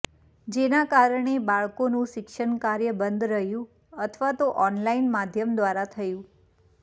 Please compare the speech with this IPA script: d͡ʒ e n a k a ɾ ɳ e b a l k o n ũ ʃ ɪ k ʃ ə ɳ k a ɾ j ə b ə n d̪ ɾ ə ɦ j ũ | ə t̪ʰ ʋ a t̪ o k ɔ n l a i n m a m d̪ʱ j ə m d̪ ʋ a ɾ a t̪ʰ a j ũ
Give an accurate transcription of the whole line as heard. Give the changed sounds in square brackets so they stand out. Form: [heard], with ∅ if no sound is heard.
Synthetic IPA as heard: d͡ʒ e n a k a ɾ ɳ e b a [ɭ] k o n ũ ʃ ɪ k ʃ ə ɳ k a ɾ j ə b ə n d̪ ɾ ə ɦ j ũ | ə t̪ʰ ʋ a t̪ o [ʔ] ɔ n l a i n m a [∅] d̪ʱ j ə m d̪ ʋ a ɾ a t̪ʰ [ə] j ũ